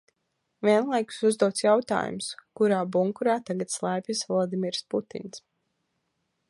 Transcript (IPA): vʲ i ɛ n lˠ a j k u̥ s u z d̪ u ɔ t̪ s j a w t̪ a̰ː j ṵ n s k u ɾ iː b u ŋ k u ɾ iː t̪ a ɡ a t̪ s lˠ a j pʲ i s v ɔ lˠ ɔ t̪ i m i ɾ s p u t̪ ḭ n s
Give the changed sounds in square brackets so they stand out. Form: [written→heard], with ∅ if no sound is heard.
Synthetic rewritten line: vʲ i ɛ n lˠ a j k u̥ s u z d̪ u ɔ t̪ s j a w t̪ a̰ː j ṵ [n→m] s k u ɾ [iː→aː] b u ŋ k u ɾ [iː→aː] t̪ a ɡ a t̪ s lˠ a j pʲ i s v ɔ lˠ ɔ [t̪→d̪] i m i ɾ s p u t̪ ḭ n s